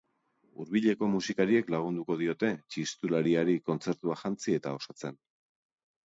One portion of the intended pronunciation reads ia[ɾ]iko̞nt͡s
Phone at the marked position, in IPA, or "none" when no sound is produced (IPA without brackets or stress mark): ɾ